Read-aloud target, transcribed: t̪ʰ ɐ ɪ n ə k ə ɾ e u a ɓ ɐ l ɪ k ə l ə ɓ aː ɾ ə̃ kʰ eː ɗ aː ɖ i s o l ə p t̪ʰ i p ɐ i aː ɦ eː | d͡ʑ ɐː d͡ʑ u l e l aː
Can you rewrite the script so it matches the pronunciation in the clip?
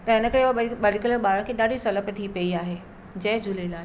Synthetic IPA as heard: t̪ ɐ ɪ n ə k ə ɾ e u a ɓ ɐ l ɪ k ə l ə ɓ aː ɾ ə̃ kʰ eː ɗ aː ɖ i s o l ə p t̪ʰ i p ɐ i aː ɦ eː | d͡ʑ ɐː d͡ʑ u l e l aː